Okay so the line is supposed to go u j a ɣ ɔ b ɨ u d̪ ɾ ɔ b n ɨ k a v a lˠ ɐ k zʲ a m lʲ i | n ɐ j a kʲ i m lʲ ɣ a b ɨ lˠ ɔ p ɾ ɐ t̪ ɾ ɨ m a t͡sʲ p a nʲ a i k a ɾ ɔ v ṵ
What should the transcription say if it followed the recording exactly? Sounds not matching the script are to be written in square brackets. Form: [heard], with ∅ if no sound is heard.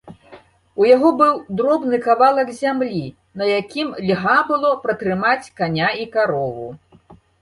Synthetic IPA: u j a ɣ ɔ b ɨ [w] d̪ ɾ ɔ b n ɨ k a v a lˠ ɐ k zʲ a m lʲ i | n ɐ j a kʲ i m lʲ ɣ a b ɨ lˠ ɔ p ɾ ɐ t̪ ɾ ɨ m a t͡sʲ [k] a nʲ a i k a ɾ ɔ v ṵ